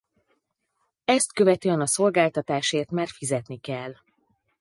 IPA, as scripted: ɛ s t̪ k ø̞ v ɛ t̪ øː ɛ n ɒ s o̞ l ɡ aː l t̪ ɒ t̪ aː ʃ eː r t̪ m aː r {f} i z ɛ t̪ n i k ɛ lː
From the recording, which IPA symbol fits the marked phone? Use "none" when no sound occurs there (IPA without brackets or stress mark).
f